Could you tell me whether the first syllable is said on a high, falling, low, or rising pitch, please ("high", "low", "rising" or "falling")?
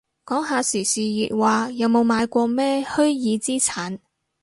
rising